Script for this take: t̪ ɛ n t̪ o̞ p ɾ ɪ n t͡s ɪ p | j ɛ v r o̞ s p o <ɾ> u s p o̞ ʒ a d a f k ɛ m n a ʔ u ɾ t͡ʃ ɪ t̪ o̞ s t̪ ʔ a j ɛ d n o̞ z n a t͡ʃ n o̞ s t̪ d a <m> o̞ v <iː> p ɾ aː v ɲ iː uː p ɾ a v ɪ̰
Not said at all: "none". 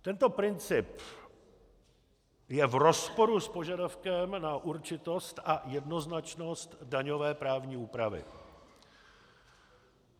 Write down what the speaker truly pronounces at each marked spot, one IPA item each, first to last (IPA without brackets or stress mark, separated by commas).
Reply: ɾ, ɲ, ɛː